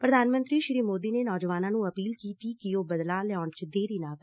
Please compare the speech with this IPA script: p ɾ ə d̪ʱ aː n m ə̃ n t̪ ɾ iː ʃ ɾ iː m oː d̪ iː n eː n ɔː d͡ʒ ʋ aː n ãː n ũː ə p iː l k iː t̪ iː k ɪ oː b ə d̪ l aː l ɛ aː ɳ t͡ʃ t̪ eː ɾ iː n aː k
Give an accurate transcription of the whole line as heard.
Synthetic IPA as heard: p ɾ ə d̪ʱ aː n m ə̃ n t̪ ɾ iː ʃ ɾ iː m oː d̪ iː n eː n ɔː d͡ʒ ʋ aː n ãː n ũː ə p iː l k iː t̪ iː k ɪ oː b ə d̪ l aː l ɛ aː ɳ t͡ʃ d̪ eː ɾ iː n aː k